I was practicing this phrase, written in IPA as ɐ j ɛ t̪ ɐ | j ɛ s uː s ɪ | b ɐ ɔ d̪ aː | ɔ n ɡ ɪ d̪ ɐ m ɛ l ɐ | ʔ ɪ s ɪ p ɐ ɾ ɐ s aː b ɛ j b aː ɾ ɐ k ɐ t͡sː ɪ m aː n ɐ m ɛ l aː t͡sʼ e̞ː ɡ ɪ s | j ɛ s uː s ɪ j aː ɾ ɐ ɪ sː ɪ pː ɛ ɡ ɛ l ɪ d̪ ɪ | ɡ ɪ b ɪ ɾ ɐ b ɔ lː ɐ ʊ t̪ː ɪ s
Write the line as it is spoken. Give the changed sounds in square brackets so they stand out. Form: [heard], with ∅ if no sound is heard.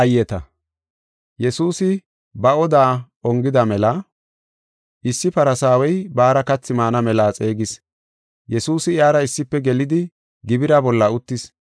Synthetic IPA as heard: ɐ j ɛ t̪ ɐ | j ɛ s uː s ɪ | b ɐ ɔ d̪ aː | ɔ [ŋ] ɡ ɪ d̪ ɐ m ɛ l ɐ | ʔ ɪ [sː] ɪ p ɐ ɾ ɐ s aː [w] ɛ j b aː ɾ ɐ k ɐ t͡sː ɪ m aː n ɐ m ɛ l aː t͡sʼ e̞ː ɡ ɪ s | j ɛ s uː s ɪ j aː ɾ ɐ ɪ sː ɪ pː ɛ ɡ ɛ l ɪ d̪ ɪ | ɡ ɪ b ɪ ɾ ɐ b ɔ lː ɐ ʊ t̪ː ɪ s

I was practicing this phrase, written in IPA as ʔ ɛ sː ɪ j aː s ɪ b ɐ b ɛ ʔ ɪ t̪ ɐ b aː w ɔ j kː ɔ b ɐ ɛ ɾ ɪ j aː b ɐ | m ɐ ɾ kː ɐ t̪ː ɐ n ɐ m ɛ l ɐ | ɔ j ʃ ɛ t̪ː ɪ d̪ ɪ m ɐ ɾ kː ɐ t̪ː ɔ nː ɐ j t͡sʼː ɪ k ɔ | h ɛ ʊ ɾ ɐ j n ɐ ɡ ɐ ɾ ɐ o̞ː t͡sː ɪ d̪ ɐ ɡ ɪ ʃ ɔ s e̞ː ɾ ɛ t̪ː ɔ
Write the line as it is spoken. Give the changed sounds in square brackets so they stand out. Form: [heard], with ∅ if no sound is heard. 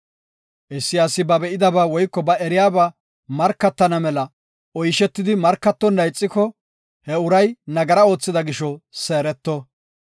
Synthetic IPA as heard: ʔ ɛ sː ɪ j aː s ɪ b ɐ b ɛ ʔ ɪ [d̪] ɐ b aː w ɔ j kː ɔ b ɐ ɛ ɾ ɪ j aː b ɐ | m ɐ ɾ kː ɐ t̪ː ɐ n ɐ m ɛ l ɐ | ɔ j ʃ ɛ t̪ː ɪ d̪ ɪ m ɐ ɾ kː ɐ t̪ː ɔ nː ɐ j t͡sʼː ɪ k ɔ | h ɛ ʊ ɾ ɐ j n ɐ ɡ ɐ ɾ ɐ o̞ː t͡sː ɪ d̪ ɐ ɡ ɪ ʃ ɔ s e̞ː ɾ ɛ t̪ː ɔ

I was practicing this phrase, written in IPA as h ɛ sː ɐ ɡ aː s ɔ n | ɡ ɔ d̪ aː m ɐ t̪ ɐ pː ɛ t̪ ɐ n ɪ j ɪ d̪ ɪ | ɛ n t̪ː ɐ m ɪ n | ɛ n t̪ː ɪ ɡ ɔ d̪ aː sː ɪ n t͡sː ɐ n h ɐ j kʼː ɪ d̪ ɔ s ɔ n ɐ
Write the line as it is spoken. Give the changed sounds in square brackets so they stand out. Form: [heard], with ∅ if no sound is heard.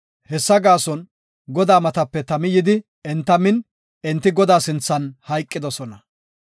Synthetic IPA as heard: h ɛ sː ɐ ɡ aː s ɔ n | ɡ ɔ d̪ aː m ɐ t̪ ɐ pː ɛ t̪ ɐ [m] ɪ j ɪ d̪ ɪ | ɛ n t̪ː ɐ m ɪ n | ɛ n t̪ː ɪ ɡ ɔ d̪ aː [s] ɪ n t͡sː ɐ n h ɐ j kʼː ɪ d̪ ɔ s ɔ n ɐ

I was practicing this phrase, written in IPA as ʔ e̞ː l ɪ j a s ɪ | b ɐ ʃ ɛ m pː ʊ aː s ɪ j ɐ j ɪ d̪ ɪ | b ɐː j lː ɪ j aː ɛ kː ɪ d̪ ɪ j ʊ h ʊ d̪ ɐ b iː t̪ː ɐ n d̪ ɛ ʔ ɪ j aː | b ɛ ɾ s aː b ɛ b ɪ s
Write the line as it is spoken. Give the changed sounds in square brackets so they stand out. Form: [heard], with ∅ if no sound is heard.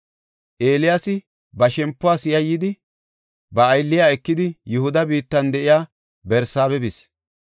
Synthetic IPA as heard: ʔ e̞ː l ɪ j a s ɪ | b ɐ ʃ ɛ m pː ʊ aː s ɪ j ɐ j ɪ d̪ ɪ | b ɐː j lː ɪ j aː ɛ kː ɪ d̪ ɪ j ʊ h ʊ d̪ ɐ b iː t̪ː ɐ n d̪ ɛ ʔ ɪ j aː | b ɛ ɾ s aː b ɛ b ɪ s

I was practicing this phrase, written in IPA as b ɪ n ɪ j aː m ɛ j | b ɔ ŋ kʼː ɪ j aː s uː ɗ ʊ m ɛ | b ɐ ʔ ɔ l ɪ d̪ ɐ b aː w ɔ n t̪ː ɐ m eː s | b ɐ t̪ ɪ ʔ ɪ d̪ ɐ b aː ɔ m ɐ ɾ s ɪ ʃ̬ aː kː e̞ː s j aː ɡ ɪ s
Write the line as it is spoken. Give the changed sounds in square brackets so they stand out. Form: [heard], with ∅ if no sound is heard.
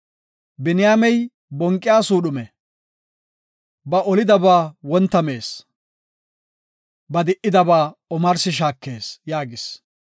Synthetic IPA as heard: b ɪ n ɪ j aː m ɛ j | b ɔ ŋ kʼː ɪ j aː s uː ɗ ʊ m ɛ | b ɐ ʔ ɔ l ɪ d̪ ɐ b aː w ɔ n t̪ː ɐ m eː s | b ɐ [d̪] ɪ ʔ ɪ d̪ ɐ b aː ɔ m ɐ ɾ s ɪ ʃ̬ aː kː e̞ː s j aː ɡ ɪ s

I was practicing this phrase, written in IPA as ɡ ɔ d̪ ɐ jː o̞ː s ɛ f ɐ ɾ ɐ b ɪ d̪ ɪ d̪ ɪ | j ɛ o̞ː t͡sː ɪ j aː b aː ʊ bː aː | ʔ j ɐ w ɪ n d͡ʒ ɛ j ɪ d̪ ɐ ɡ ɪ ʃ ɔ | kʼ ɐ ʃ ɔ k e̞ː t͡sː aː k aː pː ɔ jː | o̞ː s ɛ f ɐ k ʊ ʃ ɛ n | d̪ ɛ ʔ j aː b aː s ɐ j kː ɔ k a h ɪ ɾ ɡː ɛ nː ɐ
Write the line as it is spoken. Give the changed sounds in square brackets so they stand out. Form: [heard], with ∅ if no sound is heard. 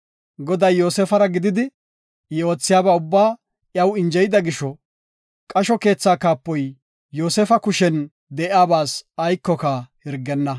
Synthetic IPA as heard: ɡ ɔ d̪ ɐ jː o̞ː s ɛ f ɐ ɾ ɐ [ɡ] ɪ d̪ ɪ d̪ ɪ | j ɛ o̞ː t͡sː ɪ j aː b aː ʊ bː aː | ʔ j ɐ w ɪ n d͡ʒ ɛ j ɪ d̪ ɐ ɡ ɪ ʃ ɔ | kʼ ɐ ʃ ɔ k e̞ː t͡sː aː k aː pː ɔ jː | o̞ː s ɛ f ɐ k ʊ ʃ ɛ n | d̪ ɛ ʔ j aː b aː s ɐ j kː ɔ k a h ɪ ɾ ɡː ɛ nː ɐ

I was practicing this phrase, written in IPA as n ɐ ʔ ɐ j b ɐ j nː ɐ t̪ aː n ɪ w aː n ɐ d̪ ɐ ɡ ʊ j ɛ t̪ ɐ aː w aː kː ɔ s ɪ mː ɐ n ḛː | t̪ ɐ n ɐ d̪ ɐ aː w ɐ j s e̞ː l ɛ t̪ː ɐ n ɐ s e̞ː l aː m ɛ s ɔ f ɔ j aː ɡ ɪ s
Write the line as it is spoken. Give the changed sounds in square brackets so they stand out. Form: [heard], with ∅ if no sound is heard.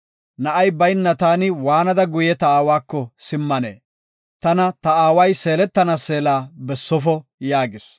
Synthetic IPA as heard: n ɐ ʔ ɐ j b ɐ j nː ɐ t̪ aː n ɪ w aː n ɐ d̪ ɐ ɡ ʊ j ɛ t̪ ɐ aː w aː kː ɔ s ɪ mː ɐ n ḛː | t̪ ɐ n ɐ [t̪] ɐ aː w ɐ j s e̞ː l ɛ t̪ː ɐ n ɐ s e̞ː l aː [b] ɛ [sː] ɔ f ɔ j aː ɡ ɪ s

